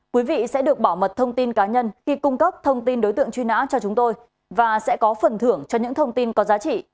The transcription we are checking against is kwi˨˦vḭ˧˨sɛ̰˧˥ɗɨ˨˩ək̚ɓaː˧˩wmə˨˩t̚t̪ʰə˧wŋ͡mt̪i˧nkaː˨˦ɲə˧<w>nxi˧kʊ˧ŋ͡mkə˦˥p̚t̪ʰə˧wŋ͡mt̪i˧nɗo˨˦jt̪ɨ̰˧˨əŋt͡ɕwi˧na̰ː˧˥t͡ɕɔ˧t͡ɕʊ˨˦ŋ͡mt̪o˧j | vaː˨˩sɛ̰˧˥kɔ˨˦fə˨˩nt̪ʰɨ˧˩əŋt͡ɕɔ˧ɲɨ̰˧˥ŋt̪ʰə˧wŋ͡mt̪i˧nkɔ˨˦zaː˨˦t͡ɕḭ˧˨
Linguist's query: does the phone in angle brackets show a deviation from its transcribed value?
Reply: yes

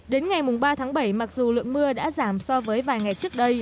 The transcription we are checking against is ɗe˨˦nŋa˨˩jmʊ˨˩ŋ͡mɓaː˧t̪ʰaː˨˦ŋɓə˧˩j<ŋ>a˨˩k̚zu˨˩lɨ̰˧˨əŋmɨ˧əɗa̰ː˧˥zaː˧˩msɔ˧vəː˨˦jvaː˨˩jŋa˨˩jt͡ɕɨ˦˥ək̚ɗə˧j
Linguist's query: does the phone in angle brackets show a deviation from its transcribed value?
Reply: yes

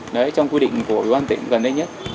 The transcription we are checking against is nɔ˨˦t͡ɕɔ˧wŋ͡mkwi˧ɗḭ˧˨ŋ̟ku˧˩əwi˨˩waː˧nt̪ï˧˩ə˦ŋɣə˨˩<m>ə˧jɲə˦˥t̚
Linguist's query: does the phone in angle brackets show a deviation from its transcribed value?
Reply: yes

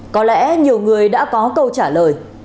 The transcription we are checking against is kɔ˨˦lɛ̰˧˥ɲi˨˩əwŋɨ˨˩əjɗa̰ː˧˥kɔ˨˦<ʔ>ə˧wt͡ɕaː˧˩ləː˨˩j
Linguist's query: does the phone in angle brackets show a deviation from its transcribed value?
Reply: yes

